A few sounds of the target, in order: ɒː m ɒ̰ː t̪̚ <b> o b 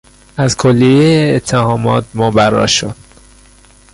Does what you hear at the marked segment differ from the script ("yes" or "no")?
yes